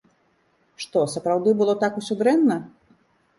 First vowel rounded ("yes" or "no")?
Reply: yes